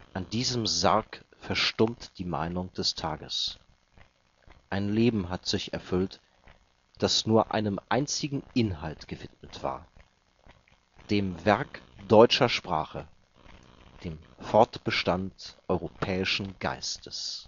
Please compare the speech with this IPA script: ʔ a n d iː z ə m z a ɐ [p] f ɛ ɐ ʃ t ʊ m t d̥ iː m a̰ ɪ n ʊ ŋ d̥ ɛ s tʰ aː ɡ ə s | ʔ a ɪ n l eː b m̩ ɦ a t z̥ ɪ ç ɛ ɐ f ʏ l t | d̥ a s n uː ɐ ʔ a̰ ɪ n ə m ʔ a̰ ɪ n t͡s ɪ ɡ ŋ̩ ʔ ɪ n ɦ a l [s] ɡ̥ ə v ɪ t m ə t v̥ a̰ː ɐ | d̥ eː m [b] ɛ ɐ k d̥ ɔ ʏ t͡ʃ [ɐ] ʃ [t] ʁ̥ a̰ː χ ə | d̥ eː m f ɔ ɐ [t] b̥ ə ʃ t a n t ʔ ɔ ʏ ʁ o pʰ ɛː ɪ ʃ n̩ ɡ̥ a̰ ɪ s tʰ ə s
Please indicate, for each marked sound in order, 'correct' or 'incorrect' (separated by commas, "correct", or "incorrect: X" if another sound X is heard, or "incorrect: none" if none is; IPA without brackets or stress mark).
incorrect: k, incorrect: t, incorrect: v, correct, incorrect: p, correct